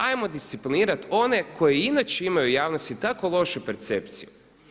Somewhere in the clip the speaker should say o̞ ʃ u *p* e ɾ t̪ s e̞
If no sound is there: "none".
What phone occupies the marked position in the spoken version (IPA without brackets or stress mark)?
p